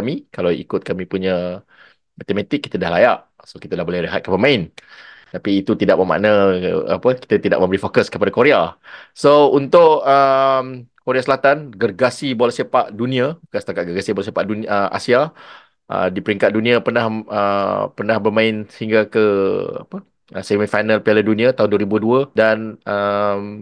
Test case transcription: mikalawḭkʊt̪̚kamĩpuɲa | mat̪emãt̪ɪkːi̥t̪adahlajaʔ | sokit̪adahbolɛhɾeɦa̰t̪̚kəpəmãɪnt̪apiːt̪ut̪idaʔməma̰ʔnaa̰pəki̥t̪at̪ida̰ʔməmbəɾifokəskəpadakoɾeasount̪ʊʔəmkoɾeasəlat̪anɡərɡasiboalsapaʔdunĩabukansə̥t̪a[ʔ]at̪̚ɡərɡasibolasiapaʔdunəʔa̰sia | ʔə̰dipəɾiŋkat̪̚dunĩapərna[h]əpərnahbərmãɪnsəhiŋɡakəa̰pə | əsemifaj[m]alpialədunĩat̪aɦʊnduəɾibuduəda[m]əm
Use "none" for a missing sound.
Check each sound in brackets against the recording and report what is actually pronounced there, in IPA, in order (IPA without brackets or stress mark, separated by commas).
k, h, n, n